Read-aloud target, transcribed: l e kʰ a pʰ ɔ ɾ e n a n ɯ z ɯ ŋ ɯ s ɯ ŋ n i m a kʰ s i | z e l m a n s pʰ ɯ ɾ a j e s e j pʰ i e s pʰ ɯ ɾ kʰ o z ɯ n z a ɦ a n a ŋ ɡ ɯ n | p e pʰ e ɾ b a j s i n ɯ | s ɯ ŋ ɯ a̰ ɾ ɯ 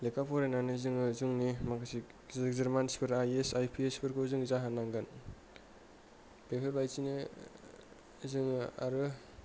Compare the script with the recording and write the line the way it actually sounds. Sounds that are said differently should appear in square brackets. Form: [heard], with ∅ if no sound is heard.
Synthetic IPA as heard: l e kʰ a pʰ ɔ ɾ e n a n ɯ z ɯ ŋ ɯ [z] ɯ ŋ n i m a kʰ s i | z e [ɾ] m a n s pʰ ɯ ɾ a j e s [a] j pʰ i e s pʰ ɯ ɾ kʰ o z ɯ [ŋ] z a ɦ a n a ŋ ɡ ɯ n | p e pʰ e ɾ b a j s i n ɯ | [z] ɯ ŋ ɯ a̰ ɾ ɯ